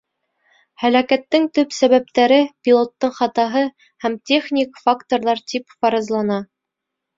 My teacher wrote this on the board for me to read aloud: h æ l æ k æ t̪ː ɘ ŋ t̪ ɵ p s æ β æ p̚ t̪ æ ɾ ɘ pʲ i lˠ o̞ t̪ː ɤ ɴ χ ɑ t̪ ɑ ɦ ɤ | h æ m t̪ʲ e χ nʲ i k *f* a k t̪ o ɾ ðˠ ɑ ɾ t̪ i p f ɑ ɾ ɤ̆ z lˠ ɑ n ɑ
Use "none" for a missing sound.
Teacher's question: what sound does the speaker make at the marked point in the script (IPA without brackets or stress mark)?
f